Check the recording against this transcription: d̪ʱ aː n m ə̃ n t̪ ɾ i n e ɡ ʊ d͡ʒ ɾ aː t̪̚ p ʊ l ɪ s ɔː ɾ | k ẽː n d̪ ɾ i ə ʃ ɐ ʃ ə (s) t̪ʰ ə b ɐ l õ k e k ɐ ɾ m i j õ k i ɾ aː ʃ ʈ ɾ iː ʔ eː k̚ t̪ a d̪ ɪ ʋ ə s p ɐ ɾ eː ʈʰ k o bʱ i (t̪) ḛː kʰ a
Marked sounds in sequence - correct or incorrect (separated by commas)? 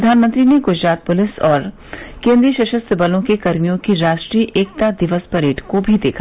correct, incorrect